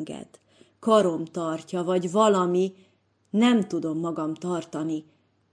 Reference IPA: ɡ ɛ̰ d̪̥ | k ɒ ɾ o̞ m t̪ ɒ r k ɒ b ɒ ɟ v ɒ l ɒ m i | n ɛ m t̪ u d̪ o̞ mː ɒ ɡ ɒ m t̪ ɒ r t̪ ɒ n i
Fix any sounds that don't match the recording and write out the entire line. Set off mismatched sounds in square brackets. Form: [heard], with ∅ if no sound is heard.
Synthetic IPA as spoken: ɡ ɛ̰ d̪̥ | k ɒ ɾ o̞ m t̪ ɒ r [c] ɒ [v] ɒ ɟ v ɒ l ɒ m i | n ɛ m t̪ u d̪ o̞ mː ɒ ɡ ɒ m t̪ ɒ r t̪ ɒ n i